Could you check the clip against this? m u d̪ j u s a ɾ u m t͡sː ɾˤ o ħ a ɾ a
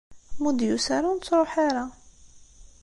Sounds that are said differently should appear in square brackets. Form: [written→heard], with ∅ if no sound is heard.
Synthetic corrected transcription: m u d̪ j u s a ɾ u [m→n] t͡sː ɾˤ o ħ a ɾ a